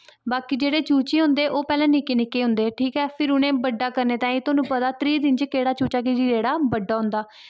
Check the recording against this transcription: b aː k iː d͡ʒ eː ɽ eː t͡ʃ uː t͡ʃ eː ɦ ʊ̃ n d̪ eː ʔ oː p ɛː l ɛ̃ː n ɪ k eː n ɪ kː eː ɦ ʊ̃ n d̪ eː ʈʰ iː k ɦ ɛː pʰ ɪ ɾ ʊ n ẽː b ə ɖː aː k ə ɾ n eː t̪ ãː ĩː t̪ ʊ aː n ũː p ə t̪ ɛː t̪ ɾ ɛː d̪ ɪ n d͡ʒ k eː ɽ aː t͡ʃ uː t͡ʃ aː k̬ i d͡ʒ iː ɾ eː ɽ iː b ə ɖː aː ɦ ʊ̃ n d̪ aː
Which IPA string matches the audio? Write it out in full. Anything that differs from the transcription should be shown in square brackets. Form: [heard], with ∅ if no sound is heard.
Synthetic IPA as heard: b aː k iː d͡ʒ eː ɽ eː t͡ʃ uː t͡ʃ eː ɦ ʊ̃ n d̪ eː ʔ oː p ɛː l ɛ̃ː n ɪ k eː n ɪ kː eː ɦ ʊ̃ n d̪ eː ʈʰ iː k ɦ ɛː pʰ ɪ ɾ ʊ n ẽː b ə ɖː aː k ə ɾ n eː t̪ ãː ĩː t̪ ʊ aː n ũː p ə t̪ [aː] t̪ ɾ [iː] d̪ ɪ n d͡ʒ k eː ɽ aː t͡ʃ uː t͡ʃ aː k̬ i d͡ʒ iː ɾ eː ɽ [aː] b ə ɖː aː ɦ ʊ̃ n d̪ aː

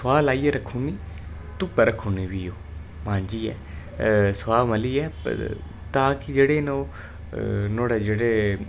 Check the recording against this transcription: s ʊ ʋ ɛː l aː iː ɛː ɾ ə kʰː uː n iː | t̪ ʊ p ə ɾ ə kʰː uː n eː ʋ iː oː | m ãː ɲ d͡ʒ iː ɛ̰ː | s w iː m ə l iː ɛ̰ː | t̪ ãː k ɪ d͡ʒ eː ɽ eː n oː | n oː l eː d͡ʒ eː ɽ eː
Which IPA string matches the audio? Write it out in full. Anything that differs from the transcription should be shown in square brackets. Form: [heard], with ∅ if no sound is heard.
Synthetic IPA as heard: s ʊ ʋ [aː] l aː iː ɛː ɾ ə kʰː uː n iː | t̪ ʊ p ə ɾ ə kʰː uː n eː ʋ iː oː | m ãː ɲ d͡ʒ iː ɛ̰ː | s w [aː] m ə l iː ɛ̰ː | t̪ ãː k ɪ d͡ʒ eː ɽ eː n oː | n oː [ɽ] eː d͡ʒ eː ɽ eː

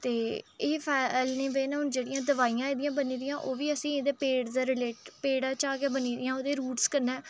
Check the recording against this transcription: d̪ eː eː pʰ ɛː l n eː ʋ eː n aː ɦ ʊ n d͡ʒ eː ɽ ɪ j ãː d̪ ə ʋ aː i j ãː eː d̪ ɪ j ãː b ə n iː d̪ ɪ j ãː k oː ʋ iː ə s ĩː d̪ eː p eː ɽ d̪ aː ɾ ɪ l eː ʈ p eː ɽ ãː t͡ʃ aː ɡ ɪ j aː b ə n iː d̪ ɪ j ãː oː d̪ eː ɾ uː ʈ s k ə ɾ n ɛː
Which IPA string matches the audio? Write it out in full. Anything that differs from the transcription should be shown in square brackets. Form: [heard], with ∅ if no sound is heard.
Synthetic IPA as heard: [t̪] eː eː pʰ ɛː l n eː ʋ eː n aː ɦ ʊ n d͡ʒ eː ɽ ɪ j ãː d̪ ə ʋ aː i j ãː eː d̪ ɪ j ãː b ə n iː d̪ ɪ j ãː [ʔ] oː ʋ iː ə s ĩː d̪ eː p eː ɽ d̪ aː ɾ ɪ l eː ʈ p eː ɽ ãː t͡ʃ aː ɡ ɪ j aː b ə n iː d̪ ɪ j ãː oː d̪ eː ɾ uː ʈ s k ə ɾ n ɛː

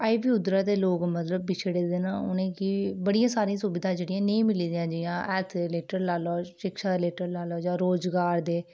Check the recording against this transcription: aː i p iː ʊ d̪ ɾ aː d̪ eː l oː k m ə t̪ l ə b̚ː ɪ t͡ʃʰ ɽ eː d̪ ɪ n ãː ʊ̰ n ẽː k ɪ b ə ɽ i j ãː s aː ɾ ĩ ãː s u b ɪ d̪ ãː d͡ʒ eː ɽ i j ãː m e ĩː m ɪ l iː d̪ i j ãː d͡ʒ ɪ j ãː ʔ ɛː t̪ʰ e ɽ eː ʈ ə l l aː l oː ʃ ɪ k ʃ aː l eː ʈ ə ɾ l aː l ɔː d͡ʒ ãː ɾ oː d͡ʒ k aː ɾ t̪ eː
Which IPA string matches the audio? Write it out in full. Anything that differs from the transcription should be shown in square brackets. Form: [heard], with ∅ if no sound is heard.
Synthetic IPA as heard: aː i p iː ʊ d̪ ɾ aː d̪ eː l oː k m ə t̪ l ə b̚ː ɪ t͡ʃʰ ɽ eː d̪ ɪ n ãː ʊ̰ n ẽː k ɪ b ə ɽ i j ãː s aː ɾ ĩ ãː s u b ɪ d̪ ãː d͡ʒ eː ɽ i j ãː [n] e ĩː m ɪ l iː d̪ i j ãː d͡ʒ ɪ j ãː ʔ ɛː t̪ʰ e [l] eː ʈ ə [ɾ] l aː l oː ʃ ɪ k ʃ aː l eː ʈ ə ɾ l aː l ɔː d͡ʒ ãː ɾ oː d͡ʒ [ɡ] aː ɾ [d̪] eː

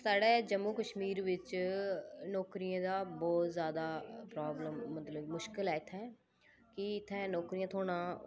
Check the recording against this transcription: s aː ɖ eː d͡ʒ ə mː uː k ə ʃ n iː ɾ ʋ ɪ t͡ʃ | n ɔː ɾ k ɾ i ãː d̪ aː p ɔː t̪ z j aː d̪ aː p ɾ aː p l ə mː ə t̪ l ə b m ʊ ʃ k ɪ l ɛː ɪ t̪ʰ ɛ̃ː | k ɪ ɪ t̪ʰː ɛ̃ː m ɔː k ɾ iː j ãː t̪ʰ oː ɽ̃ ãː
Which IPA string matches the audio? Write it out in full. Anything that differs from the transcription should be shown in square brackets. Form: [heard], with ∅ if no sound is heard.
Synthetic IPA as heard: s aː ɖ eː d͡ʒ ə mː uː k ə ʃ [m] iː ɾ ʋ ɪ t͡ʃ | n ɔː [∅] k ɾ i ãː d̪ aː [b] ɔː t̪ z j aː d̪ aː p ɾ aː [b] l ə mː ə t̪ l ə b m ʊ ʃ k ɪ l ɛː ɪ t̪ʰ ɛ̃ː | k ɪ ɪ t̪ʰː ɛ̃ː [n] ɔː k ɾ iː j ãː t̪ʰ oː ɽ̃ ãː

